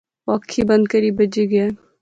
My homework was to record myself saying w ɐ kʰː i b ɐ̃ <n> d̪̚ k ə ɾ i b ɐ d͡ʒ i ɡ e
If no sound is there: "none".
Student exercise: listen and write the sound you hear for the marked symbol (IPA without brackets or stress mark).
n